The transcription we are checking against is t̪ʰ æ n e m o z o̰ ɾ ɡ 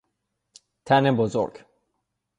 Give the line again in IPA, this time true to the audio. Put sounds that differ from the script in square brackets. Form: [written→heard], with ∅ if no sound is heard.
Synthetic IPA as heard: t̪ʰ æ n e [m→b] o z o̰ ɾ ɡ